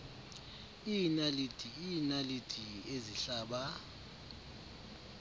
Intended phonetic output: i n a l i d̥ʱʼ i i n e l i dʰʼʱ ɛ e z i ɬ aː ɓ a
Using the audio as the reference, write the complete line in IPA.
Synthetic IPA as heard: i n a l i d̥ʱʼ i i n a l i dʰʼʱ i e z i ɬ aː ɓ a